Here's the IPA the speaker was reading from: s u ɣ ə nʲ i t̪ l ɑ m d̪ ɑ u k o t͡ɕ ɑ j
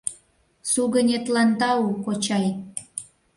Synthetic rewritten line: s u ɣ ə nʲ e t̪ l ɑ n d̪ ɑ u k o t͡ɕ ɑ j